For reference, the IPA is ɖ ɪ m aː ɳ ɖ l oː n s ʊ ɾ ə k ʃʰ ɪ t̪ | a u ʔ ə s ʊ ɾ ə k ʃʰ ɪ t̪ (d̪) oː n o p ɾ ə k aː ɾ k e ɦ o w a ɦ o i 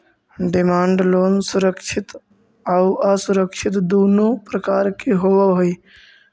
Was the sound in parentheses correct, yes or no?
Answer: yes